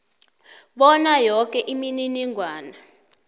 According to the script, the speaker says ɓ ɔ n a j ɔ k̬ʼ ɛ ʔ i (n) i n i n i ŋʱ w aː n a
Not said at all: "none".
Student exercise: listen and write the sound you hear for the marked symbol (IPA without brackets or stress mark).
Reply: m